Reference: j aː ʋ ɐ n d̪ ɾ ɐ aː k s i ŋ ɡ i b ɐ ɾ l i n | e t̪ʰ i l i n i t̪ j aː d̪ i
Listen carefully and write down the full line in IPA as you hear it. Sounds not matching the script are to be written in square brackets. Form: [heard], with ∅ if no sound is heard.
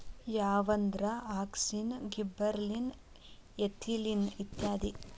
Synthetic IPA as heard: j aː ʋ ɐ n d̪ ɾ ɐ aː k s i [n] ɡ i b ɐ ɾ l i n | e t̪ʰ i l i n i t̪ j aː d̪ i